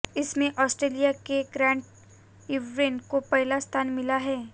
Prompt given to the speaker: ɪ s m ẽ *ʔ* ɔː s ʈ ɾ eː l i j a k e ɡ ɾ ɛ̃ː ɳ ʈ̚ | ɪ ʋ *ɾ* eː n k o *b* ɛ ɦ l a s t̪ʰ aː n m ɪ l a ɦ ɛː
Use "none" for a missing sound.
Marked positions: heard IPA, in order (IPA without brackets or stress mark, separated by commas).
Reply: ʔ, ɾ, p